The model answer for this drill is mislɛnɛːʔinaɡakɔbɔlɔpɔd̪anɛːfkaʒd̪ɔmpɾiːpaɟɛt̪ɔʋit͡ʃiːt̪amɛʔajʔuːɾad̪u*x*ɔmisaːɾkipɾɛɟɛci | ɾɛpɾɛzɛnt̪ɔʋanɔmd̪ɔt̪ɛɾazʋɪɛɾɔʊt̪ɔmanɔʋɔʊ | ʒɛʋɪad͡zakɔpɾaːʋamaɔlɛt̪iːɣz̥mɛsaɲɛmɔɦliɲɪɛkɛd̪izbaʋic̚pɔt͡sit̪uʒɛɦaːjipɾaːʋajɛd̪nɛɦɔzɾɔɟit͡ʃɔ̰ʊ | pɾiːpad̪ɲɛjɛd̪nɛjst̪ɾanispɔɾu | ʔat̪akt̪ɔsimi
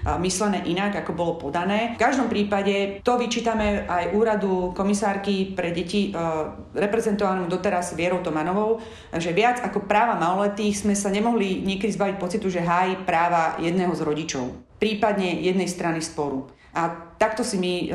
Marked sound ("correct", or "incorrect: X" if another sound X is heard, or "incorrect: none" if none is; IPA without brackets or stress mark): incorrect: k